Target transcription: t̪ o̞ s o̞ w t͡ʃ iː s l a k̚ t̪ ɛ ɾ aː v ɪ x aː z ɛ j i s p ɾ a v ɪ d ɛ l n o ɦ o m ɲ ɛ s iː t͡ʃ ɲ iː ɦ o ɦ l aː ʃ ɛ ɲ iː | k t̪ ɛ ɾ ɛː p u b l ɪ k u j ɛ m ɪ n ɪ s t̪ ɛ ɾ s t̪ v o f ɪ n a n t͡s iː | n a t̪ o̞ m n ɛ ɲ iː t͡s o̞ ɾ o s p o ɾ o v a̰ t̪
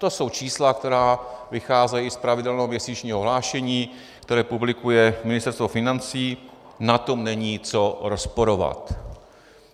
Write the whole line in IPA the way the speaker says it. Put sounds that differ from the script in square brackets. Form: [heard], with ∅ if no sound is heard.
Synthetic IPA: t̪ o̞ s o̞ w t͡ʃ iː s l a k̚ t̪ ɛ ɾ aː v ɪ x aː z ɛ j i s p ɾ a v ɪ d ɛ l n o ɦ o m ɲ ɛ s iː t͡ʃ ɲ iː ɦ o ɦ l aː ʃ ɛ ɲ iː | k t̪ ɛ ɾ ɛː p u b l ɪ k u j ɛ m ɪ n ɪ s t̪ ɛ ɾ s t̪ v o f ɪ n a n t͡s iː | n a t̪ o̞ m n ɛ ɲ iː t͡s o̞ ɾ o s p o ɾ o v a̰ t̪